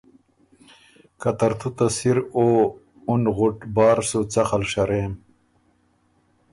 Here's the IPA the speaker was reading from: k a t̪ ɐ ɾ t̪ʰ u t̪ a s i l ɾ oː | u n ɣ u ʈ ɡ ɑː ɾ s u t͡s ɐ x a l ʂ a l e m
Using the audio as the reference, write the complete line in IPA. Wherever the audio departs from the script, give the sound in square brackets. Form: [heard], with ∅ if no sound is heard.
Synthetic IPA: k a t̪ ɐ ɾ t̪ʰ u t̪ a s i [∅] ɾ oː | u n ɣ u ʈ [b] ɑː ɾ s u t͡s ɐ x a l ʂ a [ɾ] e m

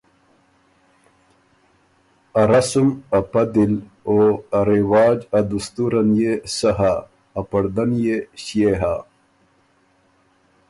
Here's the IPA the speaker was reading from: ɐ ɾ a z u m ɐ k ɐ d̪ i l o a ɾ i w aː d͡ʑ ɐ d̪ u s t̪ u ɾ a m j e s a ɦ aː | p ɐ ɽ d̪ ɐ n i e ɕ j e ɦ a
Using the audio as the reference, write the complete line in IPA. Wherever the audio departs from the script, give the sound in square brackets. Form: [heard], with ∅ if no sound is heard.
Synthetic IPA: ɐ ɾ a [s] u m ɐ [p] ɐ d̪ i l o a ɾ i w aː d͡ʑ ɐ d̪ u s t̪ u ɾ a [n] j e s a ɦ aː | p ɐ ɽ d̪ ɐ n [j] e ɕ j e ɦ a

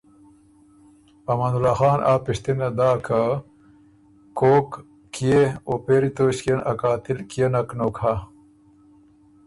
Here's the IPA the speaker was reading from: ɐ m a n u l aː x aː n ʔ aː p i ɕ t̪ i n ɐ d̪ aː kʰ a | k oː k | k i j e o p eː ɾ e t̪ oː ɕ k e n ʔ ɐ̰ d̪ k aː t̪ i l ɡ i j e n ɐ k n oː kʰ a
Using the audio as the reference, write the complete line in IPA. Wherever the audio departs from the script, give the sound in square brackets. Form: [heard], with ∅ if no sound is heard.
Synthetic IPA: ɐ m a n u l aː x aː n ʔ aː p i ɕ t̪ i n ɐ d̪ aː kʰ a | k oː k | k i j e o p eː ɾ [i] t̪ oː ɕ k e n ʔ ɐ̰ [∅] k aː t̪ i l [k] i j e n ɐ k n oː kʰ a

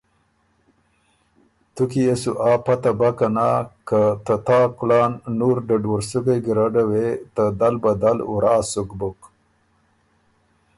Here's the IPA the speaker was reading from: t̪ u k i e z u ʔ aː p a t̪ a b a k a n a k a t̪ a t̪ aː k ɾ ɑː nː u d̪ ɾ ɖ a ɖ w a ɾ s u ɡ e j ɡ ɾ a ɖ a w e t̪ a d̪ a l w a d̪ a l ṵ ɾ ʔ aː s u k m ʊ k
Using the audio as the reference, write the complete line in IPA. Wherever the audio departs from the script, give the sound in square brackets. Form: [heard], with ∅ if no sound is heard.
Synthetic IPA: t̪ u k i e [s] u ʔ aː p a t̪ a b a k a n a k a t̪ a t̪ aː k [l] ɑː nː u [∅] ɾ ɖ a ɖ w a ɾ s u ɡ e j ɡ ɾ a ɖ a w e t̪ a d̪ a l [b] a d̪ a l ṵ ɾ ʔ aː s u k [b] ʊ k

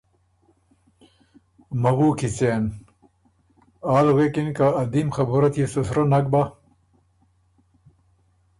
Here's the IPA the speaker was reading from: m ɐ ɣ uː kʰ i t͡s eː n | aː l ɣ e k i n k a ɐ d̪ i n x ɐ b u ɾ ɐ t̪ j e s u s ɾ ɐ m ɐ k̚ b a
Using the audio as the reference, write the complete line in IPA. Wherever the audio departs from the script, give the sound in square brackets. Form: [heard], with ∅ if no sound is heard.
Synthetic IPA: m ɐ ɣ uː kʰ i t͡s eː n | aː l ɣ e k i n k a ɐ d̪ i [m] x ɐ b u ɾ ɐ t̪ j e s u s ɾ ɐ [n] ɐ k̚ b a

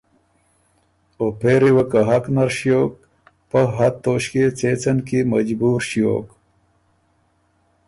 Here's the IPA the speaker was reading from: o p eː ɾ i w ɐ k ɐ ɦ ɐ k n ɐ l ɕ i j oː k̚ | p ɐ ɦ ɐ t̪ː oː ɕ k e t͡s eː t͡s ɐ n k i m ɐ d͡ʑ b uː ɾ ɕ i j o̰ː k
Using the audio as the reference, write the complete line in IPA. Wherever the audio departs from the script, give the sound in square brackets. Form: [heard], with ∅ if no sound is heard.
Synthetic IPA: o p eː ɾ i w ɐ k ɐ ɦ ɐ k n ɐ [ɾ] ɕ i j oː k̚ | p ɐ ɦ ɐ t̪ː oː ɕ k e t͡s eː t͡s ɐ n k i m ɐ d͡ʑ b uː ɾ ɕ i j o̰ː k

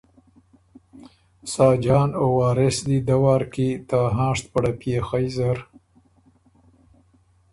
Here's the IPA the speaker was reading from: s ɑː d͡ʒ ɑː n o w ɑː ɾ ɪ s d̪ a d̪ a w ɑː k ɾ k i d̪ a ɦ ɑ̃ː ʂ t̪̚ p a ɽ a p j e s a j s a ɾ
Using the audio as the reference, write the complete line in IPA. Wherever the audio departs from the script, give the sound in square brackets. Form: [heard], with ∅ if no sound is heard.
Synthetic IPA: s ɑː d͡ʒ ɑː n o w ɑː ɾ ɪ s d̪ [i] d̪ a w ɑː [∅] ɾ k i [t̪] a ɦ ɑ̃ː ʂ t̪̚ p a ɽ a p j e [x] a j [z] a ɾ

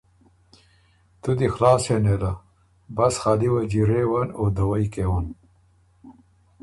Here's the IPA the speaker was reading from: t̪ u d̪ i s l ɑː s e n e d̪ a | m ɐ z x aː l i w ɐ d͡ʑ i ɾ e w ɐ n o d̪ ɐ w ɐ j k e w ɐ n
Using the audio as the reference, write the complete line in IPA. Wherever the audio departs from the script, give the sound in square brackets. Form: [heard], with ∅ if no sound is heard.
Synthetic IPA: t̪ u d̪ i [x] l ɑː s e n e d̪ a | [b] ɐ [s] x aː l i w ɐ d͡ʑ i ɾ e w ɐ n o d̪ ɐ w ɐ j k e w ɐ n

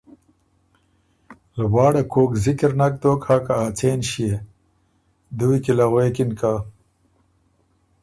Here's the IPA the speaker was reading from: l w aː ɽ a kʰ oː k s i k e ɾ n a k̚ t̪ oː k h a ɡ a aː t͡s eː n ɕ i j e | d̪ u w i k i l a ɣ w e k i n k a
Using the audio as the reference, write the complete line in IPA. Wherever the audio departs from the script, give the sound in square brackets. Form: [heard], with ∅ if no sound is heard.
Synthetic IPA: l w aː ɽ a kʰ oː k [z] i k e ɾ n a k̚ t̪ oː k h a [k] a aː t͡s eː n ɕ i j e | d̪ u w i k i l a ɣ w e k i n k a

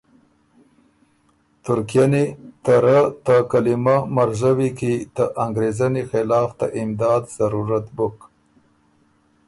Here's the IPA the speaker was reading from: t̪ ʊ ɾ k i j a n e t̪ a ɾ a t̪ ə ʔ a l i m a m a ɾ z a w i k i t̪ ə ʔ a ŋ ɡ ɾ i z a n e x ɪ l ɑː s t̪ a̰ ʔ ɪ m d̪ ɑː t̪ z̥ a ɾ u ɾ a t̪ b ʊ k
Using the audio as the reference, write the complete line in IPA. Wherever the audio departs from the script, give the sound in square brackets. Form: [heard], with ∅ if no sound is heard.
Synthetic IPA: t̪ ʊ ɾ k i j a n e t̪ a ɾ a t̪ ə [k] a l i m a m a ɾ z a w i k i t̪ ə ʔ a ŋ ɡ ɾ [e] z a n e x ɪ l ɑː [f] t̪ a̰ ʔ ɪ m d̪ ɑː [d̪] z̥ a ɾ u ɾ a t̪ b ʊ k

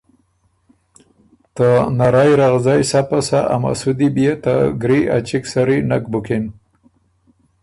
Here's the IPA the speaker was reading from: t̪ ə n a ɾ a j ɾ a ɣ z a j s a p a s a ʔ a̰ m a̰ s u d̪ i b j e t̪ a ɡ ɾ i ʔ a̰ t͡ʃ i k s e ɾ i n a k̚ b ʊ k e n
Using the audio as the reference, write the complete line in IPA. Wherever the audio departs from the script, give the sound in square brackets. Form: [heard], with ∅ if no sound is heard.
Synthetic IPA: t̪ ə n a ɾ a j ɾ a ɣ z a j s a p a s a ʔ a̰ m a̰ s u d̪ i b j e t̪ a ɡ ɾ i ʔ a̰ t͡ʃ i k s [a] ɾ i n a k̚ b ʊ k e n

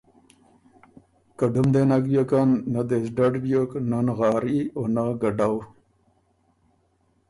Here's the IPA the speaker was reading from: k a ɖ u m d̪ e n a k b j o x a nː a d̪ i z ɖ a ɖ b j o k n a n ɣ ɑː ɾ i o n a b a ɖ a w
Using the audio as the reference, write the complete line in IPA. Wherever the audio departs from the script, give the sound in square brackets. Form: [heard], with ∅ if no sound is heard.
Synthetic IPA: k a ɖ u m d̪ e n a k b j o [k] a nː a d̪ [e] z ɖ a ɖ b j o k n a n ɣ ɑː ɾ i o n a [ɡ] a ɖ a w

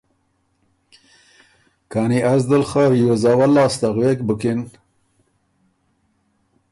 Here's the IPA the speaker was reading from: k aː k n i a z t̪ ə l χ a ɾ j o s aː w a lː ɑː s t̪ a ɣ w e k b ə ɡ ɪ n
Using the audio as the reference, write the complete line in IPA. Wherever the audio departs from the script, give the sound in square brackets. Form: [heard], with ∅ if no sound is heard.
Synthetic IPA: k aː [∅] n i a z [d̪] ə l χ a ɾ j o [z] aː w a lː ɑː s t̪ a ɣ w e k b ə [k] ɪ n

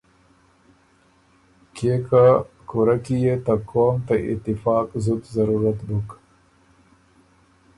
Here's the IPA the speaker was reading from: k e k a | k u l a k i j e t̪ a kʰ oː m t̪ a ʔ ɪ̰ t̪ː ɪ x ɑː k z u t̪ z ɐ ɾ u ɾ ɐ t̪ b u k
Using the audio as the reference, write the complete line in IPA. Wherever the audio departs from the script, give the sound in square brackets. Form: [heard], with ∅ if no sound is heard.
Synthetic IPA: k e k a | k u [ɾ] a k i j e t̪ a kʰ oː m t̪ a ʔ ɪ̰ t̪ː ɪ [f] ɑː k z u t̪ z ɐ ɾ u ɾ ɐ t̪ b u k

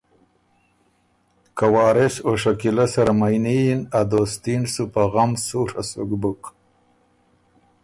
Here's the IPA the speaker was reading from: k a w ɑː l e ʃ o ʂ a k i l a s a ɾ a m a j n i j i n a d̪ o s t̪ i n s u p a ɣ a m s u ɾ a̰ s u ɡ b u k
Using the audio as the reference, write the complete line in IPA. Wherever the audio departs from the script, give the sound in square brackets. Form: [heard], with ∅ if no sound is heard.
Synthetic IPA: k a w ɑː [ɾ] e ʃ o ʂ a k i l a s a ɾ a m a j n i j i n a d̪ o s t̪ i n s u p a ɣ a m s u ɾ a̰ s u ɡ b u k

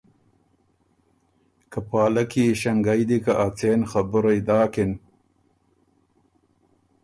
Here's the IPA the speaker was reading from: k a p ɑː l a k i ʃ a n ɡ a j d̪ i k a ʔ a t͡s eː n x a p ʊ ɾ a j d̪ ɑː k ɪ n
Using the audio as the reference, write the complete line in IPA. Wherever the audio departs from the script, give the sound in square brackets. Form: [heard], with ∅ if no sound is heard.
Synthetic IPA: k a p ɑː l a k i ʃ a [ŋ] ɡ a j d̪ i k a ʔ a t͡s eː n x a [b] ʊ ɾ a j d̪ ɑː k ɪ n

